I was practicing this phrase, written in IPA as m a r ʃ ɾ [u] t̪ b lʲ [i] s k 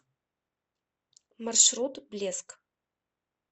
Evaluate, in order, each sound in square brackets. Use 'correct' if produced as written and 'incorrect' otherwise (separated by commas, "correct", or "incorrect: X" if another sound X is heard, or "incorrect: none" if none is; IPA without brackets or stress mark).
correct, incorrect: e